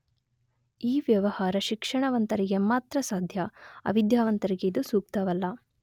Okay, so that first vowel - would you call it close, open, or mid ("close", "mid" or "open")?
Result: close